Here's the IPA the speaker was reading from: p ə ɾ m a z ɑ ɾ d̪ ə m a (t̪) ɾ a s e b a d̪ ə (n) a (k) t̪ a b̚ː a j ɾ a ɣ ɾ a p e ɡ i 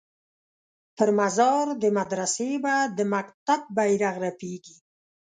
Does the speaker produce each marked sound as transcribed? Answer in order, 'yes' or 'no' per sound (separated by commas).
no, no, yes